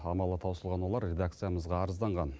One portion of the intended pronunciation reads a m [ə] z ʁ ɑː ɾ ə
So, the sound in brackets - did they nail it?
yes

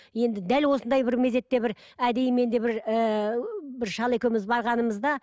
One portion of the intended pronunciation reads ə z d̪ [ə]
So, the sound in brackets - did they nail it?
no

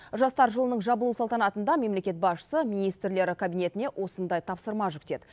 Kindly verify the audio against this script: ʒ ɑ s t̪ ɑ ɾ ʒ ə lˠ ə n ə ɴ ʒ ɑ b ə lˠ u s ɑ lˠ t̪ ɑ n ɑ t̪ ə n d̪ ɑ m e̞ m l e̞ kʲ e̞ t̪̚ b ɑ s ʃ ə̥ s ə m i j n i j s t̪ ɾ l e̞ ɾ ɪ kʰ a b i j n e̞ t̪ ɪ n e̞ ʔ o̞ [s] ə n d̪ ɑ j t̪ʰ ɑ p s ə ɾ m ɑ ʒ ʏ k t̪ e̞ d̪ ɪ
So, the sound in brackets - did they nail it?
yes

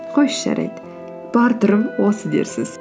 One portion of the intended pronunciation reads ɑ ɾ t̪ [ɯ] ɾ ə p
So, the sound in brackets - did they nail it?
no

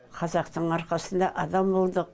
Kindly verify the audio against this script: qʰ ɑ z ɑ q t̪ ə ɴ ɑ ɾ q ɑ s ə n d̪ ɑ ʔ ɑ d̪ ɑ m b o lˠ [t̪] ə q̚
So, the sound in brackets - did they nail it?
no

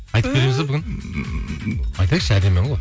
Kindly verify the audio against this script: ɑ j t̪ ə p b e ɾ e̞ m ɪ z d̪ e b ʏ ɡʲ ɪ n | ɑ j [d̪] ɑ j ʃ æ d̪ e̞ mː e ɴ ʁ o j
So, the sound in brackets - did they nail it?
no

